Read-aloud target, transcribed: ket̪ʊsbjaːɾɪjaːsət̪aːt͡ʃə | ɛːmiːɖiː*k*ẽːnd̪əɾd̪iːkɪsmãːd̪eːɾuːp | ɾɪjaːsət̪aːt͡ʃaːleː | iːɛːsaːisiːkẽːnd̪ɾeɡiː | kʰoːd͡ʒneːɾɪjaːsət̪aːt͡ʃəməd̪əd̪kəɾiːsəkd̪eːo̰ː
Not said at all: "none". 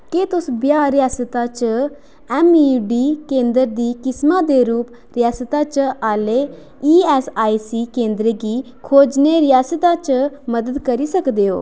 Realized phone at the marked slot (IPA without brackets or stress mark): k